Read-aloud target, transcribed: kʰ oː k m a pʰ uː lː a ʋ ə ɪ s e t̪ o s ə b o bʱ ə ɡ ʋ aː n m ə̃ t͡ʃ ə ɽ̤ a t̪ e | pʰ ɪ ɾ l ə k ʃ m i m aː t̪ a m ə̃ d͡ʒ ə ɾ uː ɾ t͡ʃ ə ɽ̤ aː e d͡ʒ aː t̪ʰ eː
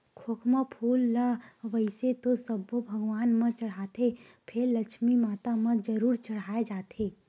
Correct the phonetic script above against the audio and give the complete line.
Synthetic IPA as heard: kʰ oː k m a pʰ uː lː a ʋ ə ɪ s e t̪ o s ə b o bʱ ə ɡ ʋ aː n m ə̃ t͡ʃ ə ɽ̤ a t̪ e | pʰ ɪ ɾ l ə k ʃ m i m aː t̪ a m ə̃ d͡ʒ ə ɾ uː ɾ t͡ʃ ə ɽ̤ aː e d͡ʒ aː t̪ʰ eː